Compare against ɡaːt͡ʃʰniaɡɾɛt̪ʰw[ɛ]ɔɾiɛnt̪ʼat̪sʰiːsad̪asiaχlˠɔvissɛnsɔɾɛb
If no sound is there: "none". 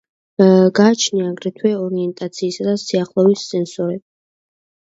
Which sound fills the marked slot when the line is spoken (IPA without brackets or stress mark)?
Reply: ɛ